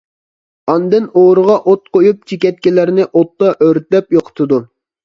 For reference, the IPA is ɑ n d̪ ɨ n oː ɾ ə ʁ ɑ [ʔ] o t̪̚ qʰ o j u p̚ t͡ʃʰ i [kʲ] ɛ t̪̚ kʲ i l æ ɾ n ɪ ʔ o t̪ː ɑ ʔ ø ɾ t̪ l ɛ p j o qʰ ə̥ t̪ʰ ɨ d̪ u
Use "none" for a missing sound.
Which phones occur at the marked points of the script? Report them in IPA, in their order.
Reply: ʔ, kʲ

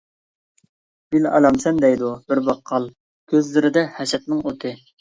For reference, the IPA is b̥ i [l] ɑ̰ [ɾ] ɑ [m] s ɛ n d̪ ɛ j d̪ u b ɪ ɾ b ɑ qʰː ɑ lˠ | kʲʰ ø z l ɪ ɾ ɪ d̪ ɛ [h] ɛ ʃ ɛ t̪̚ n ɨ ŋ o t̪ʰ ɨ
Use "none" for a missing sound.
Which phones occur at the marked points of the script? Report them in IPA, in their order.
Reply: l, l, m, h

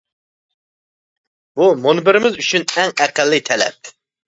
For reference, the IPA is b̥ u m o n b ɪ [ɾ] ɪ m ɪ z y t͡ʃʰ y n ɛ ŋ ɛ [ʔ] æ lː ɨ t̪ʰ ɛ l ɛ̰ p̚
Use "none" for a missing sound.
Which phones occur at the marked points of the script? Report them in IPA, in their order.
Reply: ɾ, q

